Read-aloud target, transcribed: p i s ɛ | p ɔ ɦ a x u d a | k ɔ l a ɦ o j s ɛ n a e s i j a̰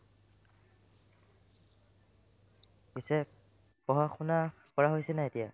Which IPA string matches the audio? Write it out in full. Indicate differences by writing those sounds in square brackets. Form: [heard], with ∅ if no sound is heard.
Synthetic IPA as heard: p i s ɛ | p ɔ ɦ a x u [n] a | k ɔ [ɹ] a ɦ o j s ɛ n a e [t] i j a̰